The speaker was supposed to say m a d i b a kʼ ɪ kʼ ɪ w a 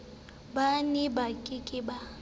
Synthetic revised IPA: b a n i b a kʼ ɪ kʼ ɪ b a